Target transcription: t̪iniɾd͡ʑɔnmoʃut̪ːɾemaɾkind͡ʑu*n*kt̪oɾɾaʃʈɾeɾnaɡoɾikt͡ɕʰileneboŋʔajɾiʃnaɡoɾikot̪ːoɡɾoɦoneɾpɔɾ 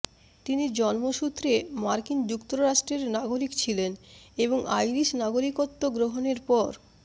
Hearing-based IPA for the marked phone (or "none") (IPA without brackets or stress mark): none